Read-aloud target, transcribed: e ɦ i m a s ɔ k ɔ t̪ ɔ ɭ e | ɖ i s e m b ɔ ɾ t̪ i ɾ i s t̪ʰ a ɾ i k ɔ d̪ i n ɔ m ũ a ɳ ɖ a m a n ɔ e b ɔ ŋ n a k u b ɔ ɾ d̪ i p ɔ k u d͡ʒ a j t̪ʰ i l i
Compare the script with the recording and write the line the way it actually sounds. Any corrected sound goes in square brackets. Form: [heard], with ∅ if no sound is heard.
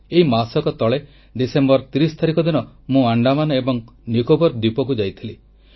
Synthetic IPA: e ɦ i m a s ɔ k ɔ t̪ ɔ ɭ e | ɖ i s e m b ɔ ɾ t̪ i ɾ i s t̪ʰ a ɾ i k ɔ d̪ i n ɔ m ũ a ɳ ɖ a m a n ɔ e b ɔ ŋ n [i] k [o] b ɔ ɾ d̪ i p ɔ k u d͡ʒ a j t̪ʰ i l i

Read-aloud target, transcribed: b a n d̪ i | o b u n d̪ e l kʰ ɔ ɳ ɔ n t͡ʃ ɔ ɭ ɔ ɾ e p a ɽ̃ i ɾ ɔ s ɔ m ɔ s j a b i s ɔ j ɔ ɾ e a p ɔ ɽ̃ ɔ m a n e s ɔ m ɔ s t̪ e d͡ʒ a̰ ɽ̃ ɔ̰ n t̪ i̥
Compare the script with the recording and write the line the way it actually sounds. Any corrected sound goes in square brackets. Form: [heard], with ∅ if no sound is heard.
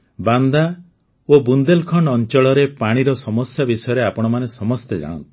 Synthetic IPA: b a n d̪ [a] | o b u n d̪ e l kʰ ɔ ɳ ɔ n t͡ʃ ɔ ɭ ɔ ɾ e p a ɽ̃ i ɾ ɔ s ɔ m ɔ s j a b i s ɔ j ɔ ɾ e a p ɔ ɽ̃ ɔ m a n e s ɔ m ɔ s t̪ e d͡ʒ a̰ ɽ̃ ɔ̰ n t̪ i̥

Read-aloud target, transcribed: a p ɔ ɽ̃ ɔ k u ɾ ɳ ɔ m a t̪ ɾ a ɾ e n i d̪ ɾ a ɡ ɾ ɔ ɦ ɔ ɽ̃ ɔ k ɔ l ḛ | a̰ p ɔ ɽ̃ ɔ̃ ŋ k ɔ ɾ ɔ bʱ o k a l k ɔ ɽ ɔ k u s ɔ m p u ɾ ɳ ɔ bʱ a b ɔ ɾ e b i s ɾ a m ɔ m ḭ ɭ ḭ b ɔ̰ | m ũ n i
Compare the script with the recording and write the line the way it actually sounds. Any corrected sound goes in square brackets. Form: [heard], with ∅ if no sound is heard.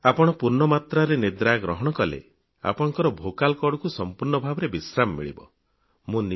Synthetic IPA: a p ɔ ɽ̃ ɔ [p] u ɾ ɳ ɔ m a t̪ ɾ a ɾ e n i d̪ ɾ a ɡ ɾ ɔ ɦ ɔ ɽ̃ ɔ k ɔ l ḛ | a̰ p ɔ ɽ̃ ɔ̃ ŋ k ɔ ɾ ɔ bʱ o k a l k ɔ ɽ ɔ k u s ɔ m p u ɾ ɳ ɔ bʱ a b ɔ ɾ e b i s ɾ a m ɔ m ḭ ɭ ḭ b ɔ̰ | m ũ n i

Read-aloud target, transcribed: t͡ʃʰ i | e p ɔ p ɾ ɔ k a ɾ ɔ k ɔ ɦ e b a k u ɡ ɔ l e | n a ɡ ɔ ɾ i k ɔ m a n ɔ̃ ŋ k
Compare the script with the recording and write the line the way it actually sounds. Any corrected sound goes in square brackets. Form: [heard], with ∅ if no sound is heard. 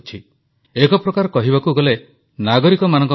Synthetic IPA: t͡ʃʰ i | e [k] ɔ p ɾ ɔ k a ɾ ɔ k ɔ ɦ [i] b a k u ɡ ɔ l e | n a ɡ ɔ ɾ i k ɔ m a n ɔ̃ ŋ k

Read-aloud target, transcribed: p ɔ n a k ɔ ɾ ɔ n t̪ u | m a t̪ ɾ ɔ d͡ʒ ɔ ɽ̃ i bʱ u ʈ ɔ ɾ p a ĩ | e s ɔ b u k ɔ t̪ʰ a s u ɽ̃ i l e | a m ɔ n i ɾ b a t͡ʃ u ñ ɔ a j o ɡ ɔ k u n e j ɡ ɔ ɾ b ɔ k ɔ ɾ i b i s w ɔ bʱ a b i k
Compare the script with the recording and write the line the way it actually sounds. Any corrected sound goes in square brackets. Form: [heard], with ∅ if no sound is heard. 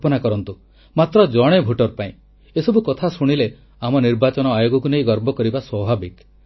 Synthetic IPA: p ɔ n a k ɔ ɾ ɔ n t̪ u | m a t̪ ɾ ɔ d͡ʒ ɔ ɽ̃ [e] bʱ u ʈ ɔ ɾ p a ĩ | e s ɔ b u k ɔ t̪ʰ a s u ɽ̃ i l e | a m ɔ n i ɾ b a t͡ʃ [ɔ] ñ ɔ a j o ɡ ɔ k u n e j ɡ ɔ ɾ b ɔ k ɔ ɾ i b [a] s w ɔ bʱ a b i k

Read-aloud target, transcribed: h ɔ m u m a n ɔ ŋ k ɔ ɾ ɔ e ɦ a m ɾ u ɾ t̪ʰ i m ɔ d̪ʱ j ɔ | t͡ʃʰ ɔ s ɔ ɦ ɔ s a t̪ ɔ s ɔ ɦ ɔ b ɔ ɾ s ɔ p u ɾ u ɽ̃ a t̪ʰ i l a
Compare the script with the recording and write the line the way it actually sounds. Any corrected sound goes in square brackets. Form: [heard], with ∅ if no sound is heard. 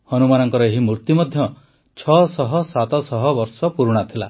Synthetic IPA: h ɔ [n] u m a n ɔ ŋ k ɔ ɾ ɔ e ɦ [i] m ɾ u ɾ [t̪] i m ɔ d̪ʱ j ɔ | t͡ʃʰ ɔ s ɔ ɦ ɔ s a t̪ ɔ s ɔ ɦ ɔ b ɔ ɾ s ɔ p u ɾ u ɽ̃ a t̪ʰ i l a

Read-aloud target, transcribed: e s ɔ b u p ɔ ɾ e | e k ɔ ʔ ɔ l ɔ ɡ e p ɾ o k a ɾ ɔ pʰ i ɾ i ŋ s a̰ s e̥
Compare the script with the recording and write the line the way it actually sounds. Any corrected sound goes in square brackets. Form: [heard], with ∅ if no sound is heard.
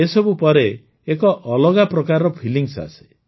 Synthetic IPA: e s ɔ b u p ɔ ɾ e | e k ɔ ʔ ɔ l ɔ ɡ [a] p ɾ [ɔ] k a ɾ ɔ pʰ i [l] i ŋ s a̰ s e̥

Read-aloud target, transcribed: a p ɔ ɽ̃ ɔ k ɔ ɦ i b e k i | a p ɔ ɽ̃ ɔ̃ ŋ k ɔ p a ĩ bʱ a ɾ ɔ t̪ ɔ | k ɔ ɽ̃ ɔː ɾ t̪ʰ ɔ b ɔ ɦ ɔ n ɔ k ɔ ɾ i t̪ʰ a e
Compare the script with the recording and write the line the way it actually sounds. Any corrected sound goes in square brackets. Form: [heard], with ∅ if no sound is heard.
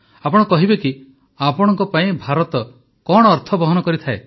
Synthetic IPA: a p ɔ ɽ̃ ɔ k ɔ ɦ i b e k i | a p ɔ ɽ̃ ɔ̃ ŋ k ɔ p a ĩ bʱ a ɾ ɔ t̪ ɔ | k ɔ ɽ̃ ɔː ɾ t̪ʰ ɔ b ɔ ɦ ɔ n ɔ k ɔ ɾ i t̪ʰ a e

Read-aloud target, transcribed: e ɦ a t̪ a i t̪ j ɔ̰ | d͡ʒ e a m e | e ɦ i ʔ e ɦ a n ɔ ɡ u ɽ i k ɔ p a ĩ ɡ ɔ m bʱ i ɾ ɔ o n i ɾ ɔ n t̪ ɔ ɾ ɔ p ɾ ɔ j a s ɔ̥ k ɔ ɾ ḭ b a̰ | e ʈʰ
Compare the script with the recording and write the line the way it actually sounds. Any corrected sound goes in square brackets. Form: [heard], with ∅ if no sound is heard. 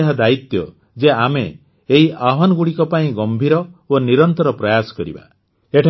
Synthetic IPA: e ɦ a [d̪] a i t̪ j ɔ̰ | d͡ʒ e a m e | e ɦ i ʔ [a] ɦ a n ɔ ɡ u ɽ i k ɔ p a ĩ ɡ ɔ m bʱ i ɾ ɔ o n i ɾ ɔ n t̪ ɔ ɾ ɔ p ɾ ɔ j a s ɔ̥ k ɔ ɾ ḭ b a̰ | e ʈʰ

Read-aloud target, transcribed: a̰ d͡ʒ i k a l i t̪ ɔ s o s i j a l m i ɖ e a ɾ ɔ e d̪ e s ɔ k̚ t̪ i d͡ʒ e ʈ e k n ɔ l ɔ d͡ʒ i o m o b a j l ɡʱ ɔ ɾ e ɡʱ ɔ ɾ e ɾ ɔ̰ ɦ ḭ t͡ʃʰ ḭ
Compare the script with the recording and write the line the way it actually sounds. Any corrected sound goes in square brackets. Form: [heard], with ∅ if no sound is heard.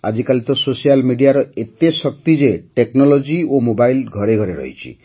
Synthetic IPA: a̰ d͡ʒ i k a l i t̪ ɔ s o s i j a l m i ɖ [i] a ɾ ɔ e [t̪] e s ɔ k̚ t̪ i d͡ʒ e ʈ e k n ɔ l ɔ d͡ʒ i o m o b a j l ɡʱ ɔ ɾ e ɡʱ ɔ ɾ e ɾ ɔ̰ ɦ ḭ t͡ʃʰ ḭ

